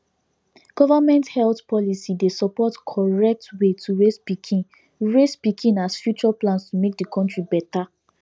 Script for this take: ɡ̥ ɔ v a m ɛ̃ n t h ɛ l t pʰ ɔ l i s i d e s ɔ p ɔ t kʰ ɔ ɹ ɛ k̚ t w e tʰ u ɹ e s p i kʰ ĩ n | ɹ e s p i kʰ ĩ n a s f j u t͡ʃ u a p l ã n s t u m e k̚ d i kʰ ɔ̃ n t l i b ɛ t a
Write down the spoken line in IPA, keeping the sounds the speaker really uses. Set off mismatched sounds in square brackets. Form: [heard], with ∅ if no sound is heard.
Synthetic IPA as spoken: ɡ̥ ɔ v a m ɛ̃ n t h ɛ l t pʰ ɔ l i s i d e s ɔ p ɔ t kʰ ɔ ɹ ɛ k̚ t w e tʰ u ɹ e s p i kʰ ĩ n | ɹ e s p i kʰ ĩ n a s f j u t͡ʃ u a p l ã n s t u m e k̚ d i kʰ ɔ̃ n t [ɹ] i b ɛ t a